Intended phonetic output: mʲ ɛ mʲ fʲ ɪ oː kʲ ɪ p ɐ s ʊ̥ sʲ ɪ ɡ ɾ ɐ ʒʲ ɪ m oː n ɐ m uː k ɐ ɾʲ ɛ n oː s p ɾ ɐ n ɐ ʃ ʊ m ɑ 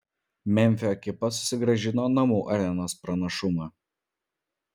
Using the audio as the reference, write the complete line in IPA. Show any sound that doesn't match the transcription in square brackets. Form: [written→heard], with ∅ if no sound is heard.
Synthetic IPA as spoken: mʲ ɛ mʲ fʲ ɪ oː kʲ ɪ p ɐ s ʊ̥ sʲ ɪ ɡ ɾ ɐ ʒʲ ɪ [m→n] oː n ɐ m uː [k→ʔ] ɐ ɾʲ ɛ n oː s p ɾ ɐ n ɐ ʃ ʊ m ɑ